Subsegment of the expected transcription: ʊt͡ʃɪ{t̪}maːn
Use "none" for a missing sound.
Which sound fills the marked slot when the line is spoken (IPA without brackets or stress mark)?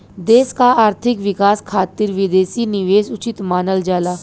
t̪